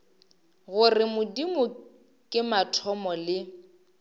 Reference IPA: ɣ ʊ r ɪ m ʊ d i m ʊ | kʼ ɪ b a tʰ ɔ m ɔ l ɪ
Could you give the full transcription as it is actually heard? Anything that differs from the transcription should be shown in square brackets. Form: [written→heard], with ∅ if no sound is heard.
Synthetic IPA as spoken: ɣ ʊ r ɪ m ʊ d i m ʊ | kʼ ɪ [b→m] a tʰ ɔ m ɔ l ɪ